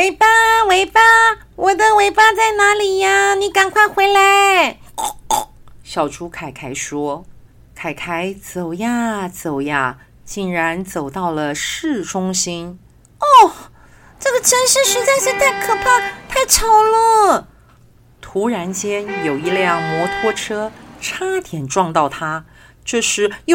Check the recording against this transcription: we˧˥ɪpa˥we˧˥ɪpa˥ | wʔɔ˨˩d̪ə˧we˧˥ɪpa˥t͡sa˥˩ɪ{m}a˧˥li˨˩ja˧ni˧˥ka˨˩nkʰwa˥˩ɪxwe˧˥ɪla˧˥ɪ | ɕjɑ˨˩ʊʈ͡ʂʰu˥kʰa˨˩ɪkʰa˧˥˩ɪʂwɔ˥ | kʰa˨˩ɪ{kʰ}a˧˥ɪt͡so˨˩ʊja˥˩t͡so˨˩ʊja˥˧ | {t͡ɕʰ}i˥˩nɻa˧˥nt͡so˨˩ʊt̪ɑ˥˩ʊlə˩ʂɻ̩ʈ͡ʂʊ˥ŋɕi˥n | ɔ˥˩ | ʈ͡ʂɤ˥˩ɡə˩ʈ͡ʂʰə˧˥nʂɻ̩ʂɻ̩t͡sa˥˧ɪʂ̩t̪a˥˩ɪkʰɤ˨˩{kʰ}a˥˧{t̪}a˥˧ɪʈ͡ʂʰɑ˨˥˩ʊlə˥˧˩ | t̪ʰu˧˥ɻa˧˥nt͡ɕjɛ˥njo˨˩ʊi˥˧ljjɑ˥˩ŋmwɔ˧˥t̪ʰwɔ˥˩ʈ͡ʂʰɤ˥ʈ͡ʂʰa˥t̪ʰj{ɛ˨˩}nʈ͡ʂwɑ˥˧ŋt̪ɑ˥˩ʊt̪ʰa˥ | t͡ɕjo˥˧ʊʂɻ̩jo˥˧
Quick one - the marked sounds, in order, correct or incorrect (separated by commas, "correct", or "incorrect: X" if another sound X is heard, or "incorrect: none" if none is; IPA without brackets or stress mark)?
incorrect: n, correct, incorrect: t͡ɕ, incorrect: pʰ, incorrect: t̪ʰ, correct